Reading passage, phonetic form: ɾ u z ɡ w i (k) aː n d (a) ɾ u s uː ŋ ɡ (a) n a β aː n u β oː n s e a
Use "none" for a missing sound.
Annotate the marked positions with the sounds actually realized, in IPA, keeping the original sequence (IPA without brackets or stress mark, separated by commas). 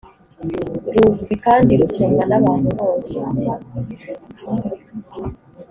k, i, a